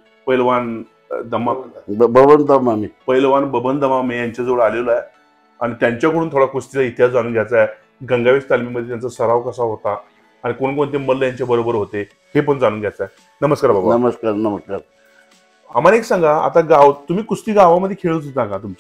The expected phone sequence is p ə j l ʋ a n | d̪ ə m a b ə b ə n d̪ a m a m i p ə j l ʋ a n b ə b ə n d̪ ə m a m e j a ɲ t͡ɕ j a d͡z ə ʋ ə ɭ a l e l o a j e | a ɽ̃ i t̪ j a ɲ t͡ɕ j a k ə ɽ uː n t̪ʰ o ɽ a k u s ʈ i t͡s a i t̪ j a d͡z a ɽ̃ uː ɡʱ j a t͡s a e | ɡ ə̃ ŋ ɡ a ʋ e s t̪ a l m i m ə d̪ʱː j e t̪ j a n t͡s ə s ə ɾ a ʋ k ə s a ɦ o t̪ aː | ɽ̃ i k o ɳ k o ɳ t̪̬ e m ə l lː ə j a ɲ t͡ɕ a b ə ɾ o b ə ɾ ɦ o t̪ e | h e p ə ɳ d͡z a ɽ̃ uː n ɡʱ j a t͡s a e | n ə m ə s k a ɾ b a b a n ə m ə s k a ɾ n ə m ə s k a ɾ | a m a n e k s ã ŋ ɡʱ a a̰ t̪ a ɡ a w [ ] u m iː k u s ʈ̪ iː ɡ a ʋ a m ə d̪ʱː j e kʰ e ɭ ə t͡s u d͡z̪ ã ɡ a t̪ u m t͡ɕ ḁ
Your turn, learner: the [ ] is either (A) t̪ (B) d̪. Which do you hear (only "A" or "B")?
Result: A